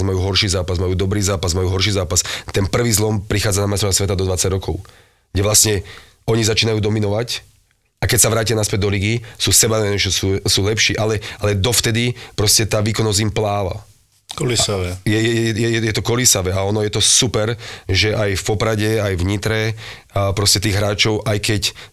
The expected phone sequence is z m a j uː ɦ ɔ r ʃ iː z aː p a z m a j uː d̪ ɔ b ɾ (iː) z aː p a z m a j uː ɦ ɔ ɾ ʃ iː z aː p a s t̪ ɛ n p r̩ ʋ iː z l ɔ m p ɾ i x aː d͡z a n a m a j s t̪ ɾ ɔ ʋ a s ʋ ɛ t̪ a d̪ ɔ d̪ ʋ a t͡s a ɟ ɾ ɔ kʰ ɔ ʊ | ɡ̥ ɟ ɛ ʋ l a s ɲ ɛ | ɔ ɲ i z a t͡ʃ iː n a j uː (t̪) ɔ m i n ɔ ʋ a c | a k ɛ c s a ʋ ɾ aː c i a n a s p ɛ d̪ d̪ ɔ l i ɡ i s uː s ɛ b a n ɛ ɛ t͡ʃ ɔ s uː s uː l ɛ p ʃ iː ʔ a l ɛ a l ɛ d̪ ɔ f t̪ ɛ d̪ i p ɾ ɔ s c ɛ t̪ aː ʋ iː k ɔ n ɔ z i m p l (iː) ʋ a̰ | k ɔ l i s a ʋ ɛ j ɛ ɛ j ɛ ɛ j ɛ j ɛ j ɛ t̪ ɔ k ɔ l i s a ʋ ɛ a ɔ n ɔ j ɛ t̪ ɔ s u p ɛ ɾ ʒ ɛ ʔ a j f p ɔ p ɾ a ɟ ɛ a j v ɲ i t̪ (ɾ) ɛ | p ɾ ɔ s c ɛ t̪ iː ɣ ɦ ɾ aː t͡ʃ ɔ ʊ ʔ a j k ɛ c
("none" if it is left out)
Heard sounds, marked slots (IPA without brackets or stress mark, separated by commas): iː, d̪, aː, ɾ